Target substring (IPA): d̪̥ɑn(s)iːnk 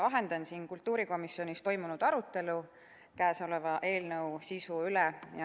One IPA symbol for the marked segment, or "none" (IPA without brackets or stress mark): s